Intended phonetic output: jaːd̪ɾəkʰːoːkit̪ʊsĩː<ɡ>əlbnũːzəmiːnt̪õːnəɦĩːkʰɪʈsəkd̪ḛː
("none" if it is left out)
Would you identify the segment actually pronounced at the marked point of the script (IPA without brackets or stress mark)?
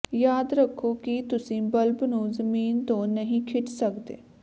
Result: b